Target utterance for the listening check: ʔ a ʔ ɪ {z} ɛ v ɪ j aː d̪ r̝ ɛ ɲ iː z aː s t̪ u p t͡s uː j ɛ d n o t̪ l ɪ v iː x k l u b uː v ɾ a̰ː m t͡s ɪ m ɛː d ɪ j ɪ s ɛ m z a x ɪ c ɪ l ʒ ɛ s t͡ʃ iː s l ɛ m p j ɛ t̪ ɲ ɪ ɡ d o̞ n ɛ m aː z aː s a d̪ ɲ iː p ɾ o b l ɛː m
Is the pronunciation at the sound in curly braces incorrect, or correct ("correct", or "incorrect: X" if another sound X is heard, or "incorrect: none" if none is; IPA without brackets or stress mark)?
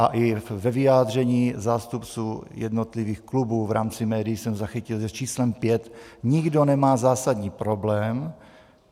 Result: incorrect: v